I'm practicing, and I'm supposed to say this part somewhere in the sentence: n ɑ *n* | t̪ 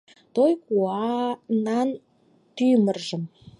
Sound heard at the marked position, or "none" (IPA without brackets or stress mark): n